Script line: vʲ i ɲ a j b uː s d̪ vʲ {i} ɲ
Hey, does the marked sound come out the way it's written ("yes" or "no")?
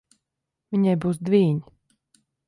no